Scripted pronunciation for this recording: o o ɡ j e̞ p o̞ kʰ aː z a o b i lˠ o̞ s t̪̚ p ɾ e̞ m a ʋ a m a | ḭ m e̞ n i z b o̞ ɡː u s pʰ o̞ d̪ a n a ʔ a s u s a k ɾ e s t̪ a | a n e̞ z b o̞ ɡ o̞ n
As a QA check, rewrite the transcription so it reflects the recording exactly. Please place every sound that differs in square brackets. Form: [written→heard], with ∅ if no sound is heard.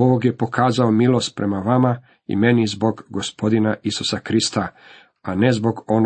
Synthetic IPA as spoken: o o ɡ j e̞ p o̞ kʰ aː z a o [b→m] i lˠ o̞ s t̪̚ p ɾ e̞ m a ʋ a m a | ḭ m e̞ n i z b o̞ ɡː [u→o] s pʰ o̞ d̪ [a→i] n a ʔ [a→i] s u s a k ɾ [e→i] s t̪ a | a n e̞ z b o̞ ɡ o̞ n